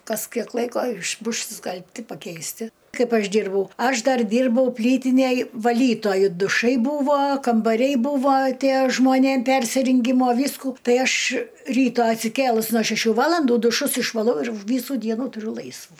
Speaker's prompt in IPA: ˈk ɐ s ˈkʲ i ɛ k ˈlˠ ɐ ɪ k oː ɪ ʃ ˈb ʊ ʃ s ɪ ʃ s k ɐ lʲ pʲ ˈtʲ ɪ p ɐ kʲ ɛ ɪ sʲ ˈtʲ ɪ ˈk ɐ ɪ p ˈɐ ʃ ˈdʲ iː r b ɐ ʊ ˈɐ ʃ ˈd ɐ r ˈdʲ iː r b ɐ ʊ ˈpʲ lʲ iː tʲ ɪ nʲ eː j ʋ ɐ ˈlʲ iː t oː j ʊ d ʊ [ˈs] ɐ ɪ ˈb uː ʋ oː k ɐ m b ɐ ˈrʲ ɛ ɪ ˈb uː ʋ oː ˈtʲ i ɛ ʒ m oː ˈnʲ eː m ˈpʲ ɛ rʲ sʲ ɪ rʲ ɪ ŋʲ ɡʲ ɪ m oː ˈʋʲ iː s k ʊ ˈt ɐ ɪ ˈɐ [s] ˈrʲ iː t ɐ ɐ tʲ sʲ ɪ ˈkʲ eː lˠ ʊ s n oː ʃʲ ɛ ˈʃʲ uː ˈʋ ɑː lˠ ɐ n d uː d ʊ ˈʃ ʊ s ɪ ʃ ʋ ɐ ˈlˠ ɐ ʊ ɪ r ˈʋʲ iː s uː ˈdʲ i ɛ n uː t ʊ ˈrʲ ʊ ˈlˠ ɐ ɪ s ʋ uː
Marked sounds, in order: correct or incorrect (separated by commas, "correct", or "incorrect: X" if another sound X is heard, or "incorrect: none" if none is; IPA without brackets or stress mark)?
incorrect: ʃ, incorrect: ʃ